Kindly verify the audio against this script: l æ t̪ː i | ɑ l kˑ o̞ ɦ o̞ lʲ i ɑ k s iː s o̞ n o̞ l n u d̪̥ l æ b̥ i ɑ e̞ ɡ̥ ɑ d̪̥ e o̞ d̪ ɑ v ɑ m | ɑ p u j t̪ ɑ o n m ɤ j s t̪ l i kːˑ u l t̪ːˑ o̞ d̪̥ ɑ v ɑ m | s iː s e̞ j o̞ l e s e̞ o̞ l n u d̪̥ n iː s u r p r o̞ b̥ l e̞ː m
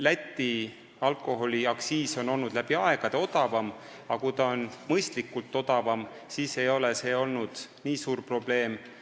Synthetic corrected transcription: l æ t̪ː i | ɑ l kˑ o̞ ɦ o̞ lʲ i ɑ k s iː s o̞ n o̞ l n u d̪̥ l æ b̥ i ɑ e̞ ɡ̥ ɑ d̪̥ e o̞ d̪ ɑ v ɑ m | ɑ k u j t̪ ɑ o n m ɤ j s t̪ l i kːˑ u l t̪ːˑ o̞ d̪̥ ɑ v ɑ m | s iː s e̞ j o̞ l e s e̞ o̞ l n u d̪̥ n iː s uː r p r o̞ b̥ l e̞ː m